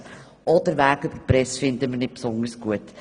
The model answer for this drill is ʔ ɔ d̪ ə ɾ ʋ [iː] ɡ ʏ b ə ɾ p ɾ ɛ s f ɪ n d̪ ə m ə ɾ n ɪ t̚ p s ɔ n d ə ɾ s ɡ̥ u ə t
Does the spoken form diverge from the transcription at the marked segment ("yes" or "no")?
yes